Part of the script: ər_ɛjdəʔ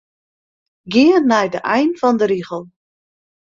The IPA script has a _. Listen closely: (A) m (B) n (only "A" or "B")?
B